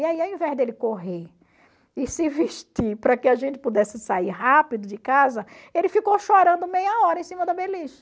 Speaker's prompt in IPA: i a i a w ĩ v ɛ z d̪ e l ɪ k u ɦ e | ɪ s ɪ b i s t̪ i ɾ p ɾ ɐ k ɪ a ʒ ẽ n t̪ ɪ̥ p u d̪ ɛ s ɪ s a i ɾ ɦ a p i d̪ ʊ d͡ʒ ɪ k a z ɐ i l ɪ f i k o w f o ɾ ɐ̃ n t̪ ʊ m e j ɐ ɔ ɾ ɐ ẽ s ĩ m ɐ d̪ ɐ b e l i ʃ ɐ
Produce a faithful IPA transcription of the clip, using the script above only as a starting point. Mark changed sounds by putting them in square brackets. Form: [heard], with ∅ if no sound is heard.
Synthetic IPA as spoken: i a i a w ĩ v ɛ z d̪ e l ɪ k [o] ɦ e | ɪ s ɪ [v] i [ʃ] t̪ i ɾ p ɾ ɐ k ɪ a ʒ ẽ n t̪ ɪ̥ p u d̪ ɛ s ɪ s a i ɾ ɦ a p i d̪ ʊ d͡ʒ ɪ k a z ɐ [e] l ɪ f i k o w [ʃ] o ɾ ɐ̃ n [d̪] ʊ m e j ɐ ɔ ɾ ɐ ẽ s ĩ m ɐ d̪ ɐ b e l i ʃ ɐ